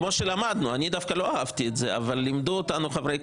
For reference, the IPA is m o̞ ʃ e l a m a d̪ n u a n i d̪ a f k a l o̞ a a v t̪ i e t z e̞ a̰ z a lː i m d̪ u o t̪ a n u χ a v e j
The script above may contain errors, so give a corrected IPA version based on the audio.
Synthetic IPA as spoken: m o̞ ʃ e l a m a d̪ n u a n i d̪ a f k a l o̞ a a v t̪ i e t z e̞ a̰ v a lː i m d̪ u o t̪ a n u χ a v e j